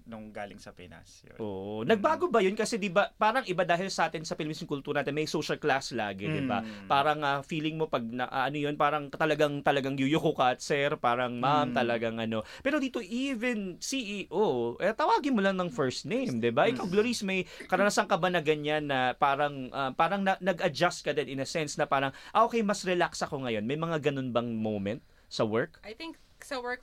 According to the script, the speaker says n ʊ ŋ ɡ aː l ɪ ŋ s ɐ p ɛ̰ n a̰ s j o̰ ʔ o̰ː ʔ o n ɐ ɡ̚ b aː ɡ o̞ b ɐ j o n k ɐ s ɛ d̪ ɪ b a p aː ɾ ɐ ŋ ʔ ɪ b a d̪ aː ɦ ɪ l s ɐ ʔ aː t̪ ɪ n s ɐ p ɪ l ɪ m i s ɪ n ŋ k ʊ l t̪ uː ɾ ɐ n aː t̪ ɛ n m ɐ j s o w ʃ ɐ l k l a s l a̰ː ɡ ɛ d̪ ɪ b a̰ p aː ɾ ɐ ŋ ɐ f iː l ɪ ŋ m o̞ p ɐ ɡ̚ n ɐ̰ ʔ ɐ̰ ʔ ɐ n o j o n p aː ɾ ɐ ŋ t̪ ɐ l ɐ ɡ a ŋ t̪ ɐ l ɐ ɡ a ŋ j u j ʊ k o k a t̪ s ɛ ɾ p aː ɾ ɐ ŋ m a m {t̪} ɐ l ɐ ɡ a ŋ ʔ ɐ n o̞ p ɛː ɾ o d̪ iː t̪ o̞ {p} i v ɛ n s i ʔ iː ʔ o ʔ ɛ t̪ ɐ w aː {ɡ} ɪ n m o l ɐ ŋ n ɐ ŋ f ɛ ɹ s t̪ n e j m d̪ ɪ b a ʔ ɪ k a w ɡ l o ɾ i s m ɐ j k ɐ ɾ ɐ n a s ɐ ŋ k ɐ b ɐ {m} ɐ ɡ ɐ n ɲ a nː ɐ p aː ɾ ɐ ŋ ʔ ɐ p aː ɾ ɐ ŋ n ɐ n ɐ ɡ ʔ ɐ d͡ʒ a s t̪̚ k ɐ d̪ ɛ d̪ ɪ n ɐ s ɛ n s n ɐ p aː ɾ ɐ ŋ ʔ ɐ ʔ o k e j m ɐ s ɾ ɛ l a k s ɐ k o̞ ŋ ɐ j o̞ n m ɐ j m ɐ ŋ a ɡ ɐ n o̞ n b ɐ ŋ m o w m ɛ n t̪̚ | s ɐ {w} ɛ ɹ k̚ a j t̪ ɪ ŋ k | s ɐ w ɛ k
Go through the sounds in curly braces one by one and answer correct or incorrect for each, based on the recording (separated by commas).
correct, incorrect, correct, incorrect, correct